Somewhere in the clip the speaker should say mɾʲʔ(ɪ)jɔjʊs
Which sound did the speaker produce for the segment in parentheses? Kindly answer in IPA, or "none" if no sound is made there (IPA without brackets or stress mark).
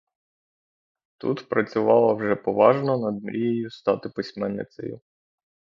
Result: i